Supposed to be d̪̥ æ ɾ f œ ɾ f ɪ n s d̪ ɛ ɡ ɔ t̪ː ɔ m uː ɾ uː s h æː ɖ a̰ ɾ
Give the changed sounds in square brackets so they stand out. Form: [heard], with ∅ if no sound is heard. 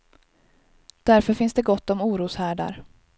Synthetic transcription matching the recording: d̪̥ æ ɾ f œ ɾ f ɪ n s d̪ ɛ ɡ ɔ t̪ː ɔ m uː ɾ uː s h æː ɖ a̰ ɾ